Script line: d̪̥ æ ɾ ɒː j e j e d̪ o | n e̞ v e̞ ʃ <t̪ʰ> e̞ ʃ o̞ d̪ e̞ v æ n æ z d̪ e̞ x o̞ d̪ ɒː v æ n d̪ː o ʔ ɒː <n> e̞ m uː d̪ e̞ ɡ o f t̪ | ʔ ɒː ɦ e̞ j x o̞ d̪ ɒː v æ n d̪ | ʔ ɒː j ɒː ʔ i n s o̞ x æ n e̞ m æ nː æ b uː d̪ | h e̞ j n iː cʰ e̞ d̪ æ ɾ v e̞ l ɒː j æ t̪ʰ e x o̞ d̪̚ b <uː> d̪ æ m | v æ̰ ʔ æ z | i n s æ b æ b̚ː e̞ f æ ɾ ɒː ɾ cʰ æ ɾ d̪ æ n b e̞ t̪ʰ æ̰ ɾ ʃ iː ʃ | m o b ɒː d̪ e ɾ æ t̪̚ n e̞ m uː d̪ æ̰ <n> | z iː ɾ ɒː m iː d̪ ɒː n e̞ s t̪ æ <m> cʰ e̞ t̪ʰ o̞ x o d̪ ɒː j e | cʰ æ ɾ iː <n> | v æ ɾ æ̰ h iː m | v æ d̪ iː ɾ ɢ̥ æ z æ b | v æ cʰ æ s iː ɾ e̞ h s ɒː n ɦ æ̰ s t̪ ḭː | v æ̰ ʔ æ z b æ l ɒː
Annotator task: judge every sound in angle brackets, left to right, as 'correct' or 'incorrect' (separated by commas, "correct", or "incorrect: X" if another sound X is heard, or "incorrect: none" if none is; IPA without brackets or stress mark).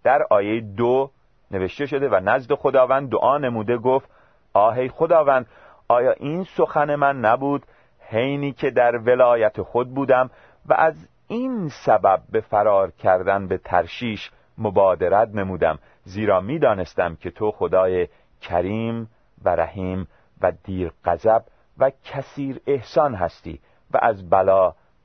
incorrect: t̪, correct, correct, incorrect: m, correct, incorrect: m